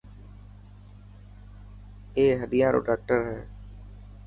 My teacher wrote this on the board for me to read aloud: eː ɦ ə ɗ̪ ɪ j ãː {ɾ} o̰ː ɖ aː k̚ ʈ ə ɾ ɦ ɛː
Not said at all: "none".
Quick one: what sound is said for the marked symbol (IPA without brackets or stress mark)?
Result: ɾ